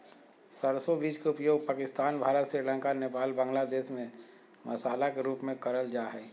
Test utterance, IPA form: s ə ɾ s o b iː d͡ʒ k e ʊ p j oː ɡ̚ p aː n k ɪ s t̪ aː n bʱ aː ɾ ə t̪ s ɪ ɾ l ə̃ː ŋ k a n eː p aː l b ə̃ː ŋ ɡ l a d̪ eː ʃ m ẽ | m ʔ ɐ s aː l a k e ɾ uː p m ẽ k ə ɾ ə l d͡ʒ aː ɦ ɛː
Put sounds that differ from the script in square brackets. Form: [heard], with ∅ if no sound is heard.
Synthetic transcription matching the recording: s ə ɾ s o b iː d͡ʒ k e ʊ p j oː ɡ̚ p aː [∅] k ɪ s t̪ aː n bʱ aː ɾ ə t̪ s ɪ ɾ l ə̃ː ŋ k a n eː p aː l b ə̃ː ŋ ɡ l a d̪ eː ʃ m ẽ | m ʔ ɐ s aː l a k e ɾ uː p m ẽ k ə ɾ ə l d͡ʒ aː ɦ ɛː